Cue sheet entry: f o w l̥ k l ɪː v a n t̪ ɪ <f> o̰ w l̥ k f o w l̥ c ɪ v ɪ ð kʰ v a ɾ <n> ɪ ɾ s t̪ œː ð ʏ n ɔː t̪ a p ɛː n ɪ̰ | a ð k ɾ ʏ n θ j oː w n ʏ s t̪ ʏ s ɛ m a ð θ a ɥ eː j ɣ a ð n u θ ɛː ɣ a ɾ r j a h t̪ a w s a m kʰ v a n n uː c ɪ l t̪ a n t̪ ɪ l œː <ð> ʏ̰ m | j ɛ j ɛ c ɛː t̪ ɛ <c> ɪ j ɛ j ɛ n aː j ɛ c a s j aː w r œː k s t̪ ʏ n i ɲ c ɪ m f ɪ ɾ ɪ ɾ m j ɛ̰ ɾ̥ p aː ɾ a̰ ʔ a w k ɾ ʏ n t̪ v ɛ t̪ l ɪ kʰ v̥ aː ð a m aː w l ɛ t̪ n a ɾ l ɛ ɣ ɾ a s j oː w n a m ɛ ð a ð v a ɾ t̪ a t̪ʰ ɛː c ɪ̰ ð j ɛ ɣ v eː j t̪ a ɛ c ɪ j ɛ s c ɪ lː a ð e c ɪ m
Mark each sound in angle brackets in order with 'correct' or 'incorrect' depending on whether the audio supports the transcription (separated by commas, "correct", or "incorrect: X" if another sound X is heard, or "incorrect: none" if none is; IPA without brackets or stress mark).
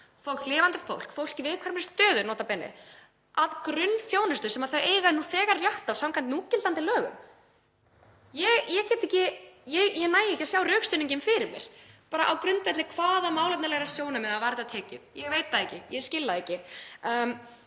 correct, incorrect: m, incorrect: ɣ, correct